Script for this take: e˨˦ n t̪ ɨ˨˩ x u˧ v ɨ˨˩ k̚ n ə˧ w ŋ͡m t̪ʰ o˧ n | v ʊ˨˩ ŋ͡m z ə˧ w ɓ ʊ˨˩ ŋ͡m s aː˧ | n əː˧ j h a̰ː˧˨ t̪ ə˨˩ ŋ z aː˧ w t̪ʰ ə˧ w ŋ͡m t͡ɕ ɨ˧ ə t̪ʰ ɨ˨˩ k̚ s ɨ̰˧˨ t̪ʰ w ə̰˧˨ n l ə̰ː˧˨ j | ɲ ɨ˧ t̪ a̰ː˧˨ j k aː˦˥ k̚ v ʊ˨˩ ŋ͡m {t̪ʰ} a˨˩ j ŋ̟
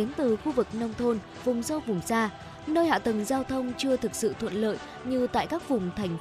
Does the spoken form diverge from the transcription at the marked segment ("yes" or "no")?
no